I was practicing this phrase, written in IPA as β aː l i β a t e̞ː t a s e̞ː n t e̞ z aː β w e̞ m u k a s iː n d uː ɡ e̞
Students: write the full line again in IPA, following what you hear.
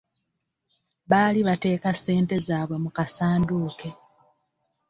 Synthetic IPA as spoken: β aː l i β a t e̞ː k a s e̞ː n t e̞ z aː β w e̞ m u k a s aː n d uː k e̞